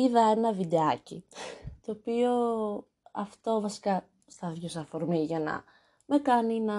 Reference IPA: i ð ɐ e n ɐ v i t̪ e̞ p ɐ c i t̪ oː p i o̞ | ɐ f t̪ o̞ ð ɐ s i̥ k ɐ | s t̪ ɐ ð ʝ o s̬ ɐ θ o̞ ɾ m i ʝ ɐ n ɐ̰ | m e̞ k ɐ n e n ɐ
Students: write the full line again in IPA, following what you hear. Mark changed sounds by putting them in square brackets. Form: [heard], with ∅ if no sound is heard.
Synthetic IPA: i ð ɐ e n ɐ v i [d̪] e̞ [∅] ɐ c i t̪ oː p i o̞ | ɐ f t̪ o̞ [v] ɐ s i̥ k ɐ | s t̪ ɐ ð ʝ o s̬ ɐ [f] o̞ ɾ m i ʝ ɐ n ɐ̰ | m e̞ k ɐ n [i] n ɐ